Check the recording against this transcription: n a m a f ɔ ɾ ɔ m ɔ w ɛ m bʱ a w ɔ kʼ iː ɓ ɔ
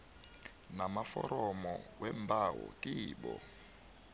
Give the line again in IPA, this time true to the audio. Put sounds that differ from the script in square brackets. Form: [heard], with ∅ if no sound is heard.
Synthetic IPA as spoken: n a m a f ɔ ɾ ɔ m ɔ w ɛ m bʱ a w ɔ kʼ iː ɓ ɔ